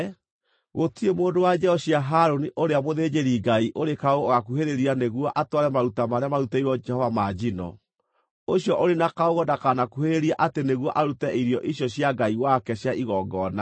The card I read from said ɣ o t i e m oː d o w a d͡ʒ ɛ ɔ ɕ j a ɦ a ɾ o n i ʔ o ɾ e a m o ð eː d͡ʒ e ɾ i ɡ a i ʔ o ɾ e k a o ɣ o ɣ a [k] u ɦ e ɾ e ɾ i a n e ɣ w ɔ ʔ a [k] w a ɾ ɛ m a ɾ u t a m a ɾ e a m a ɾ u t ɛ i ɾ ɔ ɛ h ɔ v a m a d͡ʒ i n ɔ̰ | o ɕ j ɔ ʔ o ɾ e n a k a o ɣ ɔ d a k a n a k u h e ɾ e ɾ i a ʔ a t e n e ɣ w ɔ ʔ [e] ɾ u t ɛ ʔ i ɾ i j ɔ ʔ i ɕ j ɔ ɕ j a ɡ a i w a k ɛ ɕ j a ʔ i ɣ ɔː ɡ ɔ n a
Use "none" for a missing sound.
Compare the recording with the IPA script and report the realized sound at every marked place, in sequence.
k, t, a

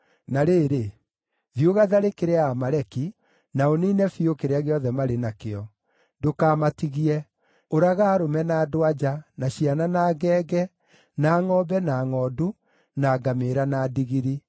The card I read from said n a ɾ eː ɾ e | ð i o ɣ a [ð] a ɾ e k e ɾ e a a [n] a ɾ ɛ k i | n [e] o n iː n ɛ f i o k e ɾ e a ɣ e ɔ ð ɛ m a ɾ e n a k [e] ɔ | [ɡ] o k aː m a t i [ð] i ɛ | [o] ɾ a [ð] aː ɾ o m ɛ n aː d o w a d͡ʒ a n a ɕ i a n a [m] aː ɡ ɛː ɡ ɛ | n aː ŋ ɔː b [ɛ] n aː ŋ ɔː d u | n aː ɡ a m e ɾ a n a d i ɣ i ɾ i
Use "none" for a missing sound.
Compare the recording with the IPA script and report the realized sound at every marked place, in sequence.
ð, m, a, e, d, ɣ, o, ɣ, n, ɛ

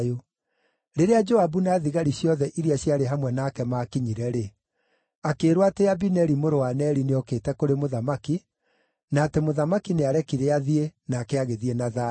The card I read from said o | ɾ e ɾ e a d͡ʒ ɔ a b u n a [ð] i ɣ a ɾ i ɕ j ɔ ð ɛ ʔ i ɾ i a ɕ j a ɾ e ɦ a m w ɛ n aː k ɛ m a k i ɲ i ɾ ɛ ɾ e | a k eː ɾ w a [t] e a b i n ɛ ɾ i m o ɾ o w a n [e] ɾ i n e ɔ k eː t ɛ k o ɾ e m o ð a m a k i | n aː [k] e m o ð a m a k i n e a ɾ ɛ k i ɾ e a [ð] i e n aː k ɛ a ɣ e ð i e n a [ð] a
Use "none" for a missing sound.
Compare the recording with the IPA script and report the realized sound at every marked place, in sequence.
ð, t, ɛ, t, ð, ð

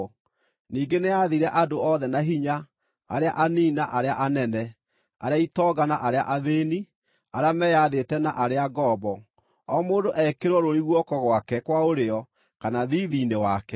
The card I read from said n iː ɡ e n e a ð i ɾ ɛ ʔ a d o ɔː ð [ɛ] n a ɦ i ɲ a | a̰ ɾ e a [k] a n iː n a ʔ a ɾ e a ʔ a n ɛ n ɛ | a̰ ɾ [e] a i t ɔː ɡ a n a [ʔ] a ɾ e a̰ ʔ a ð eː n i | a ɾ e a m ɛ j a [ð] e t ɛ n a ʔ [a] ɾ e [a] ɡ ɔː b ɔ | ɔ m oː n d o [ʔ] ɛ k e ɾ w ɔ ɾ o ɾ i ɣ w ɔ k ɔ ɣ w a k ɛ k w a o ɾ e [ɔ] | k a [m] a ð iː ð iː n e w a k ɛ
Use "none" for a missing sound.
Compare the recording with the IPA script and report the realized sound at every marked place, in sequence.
ɛ, ʔ, e, ʔ, ð, a, a, ʔ, ɔ, n

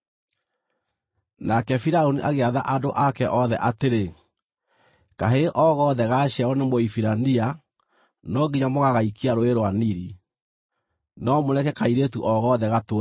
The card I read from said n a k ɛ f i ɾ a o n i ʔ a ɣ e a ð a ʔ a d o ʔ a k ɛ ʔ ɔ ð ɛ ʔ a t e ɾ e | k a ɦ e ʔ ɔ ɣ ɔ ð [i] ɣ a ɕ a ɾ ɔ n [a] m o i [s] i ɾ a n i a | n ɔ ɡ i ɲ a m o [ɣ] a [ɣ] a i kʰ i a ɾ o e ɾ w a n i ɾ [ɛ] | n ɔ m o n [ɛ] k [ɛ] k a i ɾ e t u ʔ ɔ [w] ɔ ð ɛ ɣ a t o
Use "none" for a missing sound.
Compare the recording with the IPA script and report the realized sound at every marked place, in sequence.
ɛ, e, f, ɣ, ɣ, i, ɛ, ɛ, ɣ

